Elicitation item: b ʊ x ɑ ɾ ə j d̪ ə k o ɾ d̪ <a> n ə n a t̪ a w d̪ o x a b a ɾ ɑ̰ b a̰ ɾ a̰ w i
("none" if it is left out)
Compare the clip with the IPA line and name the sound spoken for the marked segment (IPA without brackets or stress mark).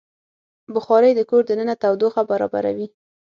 ə